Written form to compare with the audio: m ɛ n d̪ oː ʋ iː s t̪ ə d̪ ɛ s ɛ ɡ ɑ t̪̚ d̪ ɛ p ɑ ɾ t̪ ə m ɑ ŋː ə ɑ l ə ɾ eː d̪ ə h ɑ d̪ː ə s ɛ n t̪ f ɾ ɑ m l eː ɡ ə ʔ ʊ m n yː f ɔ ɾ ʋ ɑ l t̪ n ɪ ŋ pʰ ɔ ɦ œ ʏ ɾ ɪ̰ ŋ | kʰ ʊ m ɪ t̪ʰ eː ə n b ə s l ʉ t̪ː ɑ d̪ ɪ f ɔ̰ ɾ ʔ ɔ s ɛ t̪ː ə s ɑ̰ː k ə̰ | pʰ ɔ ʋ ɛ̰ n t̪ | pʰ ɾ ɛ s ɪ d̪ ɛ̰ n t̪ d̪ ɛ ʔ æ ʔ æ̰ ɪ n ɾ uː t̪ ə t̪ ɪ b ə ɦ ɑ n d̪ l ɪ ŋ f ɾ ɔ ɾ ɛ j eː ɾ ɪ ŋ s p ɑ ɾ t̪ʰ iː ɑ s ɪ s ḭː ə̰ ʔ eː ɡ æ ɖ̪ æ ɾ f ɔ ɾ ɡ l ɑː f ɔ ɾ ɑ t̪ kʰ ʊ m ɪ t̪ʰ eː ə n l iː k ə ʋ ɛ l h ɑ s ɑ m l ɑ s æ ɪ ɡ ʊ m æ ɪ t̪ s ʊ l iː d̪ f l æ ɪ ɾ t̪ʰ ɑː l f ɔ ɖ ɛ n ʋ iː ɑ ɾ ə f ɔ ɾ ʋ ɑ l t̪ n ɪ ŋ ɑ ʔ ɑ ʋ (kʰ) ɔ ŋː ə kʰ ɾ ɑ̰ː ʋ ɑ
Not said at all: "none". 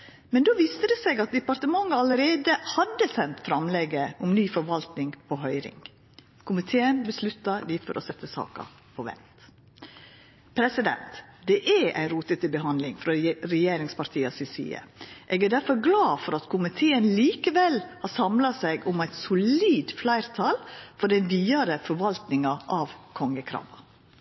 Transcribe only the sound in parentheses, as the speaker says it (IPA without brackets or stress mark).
kʰ